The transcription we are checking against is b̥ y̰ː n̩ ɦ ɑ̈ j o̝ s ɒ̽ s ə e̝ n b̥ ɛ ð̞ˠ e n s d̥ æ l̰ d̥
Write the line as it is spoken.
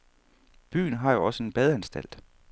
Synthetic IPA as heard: b̥ y̰ː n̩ ɦ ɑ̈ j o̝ ɒ̽ s ə e̝ n b̥ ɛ ð̞ˠ æ n s d̥ æ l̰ d̥